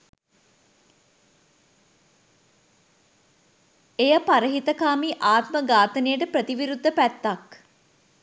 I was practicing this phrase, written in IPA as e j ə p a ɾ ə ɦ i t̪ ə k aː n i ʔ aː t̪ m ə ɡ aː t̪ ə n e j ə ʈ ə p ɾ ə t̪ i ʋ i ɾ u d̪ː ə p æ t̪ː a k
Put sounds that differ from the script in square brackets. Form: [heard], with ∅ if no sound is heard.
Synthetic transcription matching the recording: e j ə p a ɾ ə ɦ i t̪ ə k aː [m] i ʔ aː t̪ m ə ɡ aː t̪ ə n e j ə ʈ ə p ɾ ə t̪ i ʋ i ɾ u d̪ː ə p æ t̪ː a k